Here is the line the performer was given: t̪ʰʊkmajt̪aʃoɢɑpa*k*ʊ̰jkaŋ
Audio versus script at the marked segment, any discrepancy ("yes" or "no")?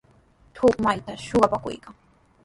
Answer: no